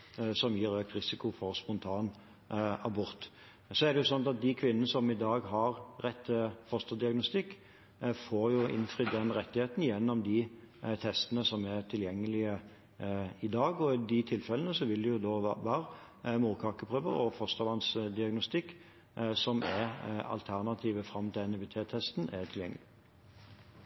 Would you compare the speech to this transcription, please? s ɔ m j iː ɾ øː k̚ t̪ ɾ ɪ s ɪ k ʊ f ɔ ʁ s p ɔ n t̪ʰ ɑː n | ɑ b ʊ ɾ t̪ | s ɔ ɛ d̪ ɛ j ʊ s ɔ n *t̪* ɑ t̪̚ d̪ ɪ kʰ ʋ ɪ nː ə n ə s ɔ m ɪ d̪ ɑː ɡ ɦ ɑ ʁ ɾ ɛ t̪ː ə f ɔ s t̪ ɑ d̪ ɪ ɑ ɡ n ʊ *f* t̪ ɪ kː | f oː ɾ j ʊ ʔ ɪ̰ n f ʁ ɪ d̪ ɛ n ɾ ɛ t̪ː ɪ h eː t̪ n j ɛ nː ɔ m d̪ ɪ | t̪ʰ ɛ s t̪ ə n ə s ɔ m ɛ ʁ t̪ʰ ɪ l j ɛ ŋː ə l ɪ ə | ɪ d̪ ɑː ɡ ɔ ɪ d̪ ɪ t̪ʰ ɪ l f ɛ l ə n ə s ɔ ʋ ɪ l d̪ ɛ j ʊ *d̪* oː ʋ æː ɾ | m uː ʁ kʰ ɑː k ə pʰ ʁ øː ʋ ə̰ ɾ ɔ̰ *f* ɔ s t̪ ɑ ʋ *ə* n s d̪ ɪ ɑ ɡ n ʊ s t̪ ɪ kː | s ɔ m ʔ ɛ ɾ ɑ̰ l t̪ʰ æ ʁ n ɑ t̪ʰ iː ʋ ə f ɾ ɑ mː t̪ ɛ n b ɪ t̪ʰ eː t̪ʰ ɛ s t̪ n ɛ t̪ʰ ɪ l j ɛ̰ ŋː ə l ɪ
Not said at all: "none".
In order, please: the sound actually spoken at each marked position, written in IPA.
t̪, s, d̪, f, ɑ

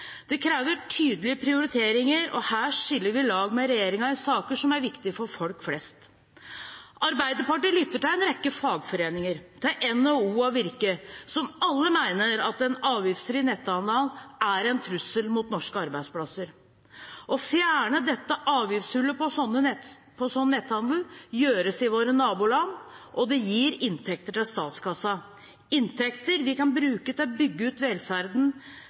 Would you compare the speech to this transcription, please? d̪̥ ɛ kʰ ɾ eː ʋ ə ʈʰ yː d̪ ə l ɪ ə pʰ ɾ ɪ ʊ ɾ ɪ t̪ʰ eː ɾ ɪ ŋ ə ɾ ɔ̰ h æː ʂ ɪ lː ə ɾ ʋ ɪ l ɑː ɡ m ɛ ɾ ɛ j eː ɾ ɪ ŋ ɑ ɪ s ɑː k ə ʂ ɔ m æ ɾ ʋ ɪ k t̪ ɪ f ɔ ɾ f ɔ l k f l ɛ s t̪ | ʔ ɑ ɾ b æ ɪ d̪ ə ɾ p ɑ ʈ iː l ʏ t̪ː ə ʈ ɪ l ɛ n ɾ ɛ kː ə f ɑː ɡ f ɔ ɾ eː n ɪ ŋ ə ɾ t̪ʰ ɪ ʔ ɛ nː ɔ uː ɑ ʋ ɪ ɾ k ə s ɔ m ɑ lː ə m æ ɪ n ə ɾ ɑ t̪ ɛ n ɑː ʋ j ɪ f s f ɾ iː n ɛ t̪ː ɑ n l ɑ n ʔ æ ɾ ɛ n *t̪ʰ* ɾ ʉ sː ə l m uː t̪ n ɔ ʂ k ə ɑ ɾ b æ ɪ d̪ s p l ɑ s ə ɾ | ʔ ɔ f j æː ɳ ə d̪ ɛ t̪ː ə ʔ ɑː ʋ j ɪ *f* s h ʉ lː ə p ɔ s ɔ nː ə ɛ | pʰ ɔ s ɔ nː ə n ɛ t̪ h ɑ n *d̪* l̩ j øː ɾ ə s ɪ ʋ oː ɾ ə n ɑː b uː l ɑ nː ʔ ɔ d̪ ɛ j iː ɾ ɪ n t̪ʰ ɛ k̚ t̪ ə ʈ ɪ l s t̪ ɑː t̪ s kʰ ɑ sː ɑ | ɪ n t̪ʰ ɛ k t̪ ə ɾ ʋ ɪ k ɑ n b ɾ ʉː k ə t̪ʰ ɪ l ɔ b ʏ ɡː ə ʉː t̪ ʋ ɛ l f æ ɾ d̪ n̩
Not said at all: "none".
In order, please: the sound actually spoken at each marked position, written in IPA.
t̪ʰ, f, d̪

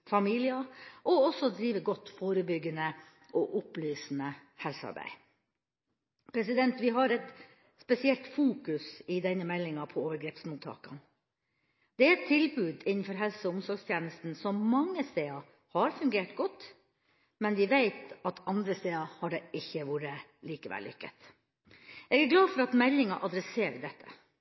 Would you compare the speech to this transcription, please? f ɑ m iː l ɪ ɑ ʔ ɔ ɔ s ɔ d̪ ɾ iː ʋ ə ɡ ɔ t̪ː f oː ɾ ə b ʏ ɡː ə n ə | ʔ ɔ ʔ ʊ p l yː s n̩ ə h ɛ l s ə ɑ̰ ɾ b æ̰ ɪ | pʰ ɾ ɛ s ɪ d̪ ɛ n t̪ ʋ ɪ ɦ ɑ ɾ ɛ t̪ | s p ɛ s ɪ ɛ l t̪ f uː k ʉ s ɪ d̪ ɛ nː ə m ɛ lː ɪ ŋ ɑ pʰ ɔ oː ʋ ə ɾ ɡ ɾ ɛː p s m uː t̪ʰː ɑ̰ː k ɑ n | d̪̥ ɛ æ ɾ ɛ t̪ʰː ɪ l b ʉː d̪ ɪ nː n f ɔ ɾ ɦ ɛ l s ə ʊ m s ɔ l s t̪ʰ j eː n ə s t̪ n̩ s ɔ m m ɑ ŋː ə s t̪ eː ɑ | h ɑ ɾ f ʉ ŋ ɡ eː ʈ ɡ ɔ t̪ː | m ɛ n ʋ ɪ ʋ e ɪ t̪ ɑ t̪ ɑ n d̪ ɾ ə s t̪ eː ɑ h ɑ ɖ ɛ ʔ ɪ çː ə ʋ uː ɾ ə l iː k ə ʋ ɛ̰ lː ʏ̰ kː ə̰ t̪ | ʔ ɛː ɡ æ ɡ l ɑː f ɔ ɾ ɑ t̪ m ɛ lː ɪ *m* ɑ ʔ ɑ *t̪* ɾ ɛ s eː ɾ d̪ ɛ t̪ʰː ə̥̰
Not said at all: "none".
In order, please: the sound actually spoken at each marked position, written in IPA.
ŋ, d̪

